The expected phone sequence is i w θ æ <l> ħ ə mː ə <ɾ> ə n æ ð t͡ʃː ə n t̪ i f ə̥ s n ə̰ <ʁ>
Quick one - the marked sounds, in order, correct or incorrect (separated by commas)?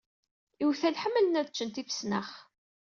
correct, incorrect, incorrect